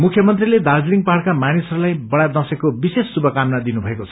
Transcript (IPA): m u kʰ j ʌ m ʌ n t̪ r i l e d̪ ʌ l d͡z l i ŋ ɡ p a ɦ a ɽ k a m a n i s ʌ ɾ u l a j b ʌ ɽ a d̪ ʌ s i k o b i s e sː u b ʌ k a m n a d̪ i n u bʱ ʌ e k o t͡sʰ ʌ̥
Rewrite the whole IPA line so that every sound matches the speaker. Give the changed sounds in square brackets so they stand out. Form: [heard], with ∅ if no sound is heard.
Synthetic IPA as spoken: m u kʰ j ʌ m ʌ n t̪ r i l e d̪ [a] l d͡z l i ŋ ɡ p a ɦ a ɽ k a m a n i s ʌ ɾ u l a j b ʌ ɽ a d̪ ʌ s [e] k o b i s e sː u b ʌ k a m n a d̪ i n u bʱ ʌ e k o t͡sʰ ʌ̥

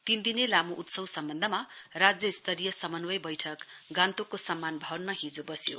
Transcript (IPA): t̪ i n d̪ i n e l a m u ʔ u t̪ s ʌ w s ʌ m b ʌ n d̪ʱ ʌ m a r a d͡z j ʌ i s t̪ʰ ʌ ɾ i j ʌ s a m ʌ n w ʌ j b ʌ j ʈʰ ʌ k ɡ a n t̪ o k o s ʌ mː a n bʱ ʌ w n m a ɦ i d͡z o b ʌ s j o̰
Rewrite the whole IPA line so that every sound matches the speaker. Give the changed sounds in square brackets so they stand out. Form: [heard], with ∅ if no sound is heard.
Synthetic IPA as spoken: t̪ i n d̪ i n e l a m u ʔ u t̪ s ʌ w s ʌ m b ʌ n d̪ʱ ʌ m a r a d͡z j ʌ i s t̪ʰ ʌ ɾ i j ʌ s [ʌ] m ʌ n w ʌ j b ʌ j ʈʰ ʌ k ɡ a n t̪ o k o s ʌ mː a n bʱ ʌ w n m a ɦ i d͡z o b ʌ s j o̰

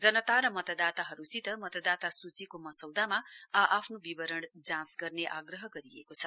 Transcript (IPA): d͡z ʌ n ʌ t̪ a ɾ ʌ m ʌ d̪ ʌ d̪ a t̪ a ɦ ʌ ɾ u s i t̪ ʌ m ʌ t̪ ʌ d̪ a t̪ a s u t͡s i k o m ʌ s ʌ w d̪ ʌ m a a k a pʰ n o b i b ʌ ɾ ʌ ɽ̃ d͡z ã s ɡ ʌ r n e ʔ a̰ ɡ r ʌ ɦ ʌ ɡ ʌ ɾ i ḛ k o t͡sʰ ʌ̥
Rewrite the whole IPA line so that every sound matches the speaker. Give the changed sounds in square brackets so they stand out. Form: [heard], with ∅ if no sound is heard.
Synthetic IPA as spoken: d͡z ʌ n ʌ t̪ a ɾ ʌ m ʌ [t̪] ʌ d̪ a t̪ a ɦ ʌ ɾ u s i t̪ ʌ m ʌ t̪ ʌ d̪ a t̪ a s u t͡s i k o m ʌ s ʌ w d̪ [a] m a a [ʔ] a pʰ n o b i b ʌ ɾ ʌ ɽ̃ d͡z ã s ɡ ʌ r n e ʔ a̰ ɡ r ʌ ɦ ʌ ɡ ʌ ɾ i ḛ k o t͡sʰ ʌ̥

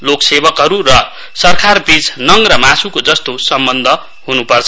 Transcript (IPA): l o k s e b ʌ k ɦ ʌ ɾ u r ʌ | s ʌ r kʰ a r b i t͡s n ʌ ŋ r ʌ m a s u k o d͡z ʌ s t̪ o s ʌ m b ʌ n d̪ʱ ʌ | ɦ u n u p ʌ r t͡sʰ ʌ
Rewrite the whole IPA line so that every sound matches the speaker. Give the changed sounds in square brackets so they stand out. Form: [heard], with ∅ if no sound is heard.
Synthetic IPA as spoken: l o k s e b ʌ k ɦ ʌ ɾ u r ʌ | s ʌ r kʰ a r b i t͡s n ʌ ŋ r ʌ m a s u k o d͡z ʌ s t̪ o s ʌ m b ʌ n d̪ʱ ʌ | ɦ u n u p ʌ r t͡sʰ ʌ

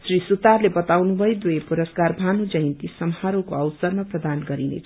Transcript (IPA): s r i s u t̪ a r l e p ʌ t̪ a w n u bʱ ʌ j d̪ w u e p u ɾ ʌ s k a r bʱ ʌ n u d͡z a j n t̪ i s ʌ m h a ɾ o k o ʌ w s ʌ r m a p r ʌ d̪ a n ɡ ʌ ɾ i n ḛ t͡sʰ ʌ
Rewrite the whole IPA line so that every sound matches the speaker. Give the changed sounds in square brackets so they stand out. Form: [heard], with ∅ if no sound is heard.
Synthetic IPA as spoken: s r i s u t̪ a r l e [b] ʌ t̪ a w n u bʱ ʌ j d̪ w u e p u ɾ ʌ s k a r bʱ [a] n u d͡z [ʌ] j n t̪ i s ʌ m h a ɾ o k o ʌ w s ʌ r m a p r ʌ d̪ a n ɡ ʌ ɾ i n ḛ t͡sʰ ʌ

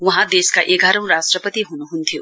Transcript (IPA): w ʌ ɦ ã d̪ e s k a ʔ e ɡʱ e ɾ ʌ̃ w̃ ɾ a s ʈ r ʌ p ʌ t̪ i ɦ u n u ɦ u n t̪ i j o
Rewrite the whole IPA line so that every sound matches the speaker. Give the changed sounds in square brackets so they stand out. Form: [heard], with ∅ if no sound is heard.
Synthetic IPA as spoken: w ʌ ɦ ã d̪ e s k a ʔ e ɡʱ [a] ɾ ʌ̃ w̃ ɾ a s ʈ r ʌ p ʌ t̪ i ɦ u n u ɦ u n [t̪ʰ] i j o

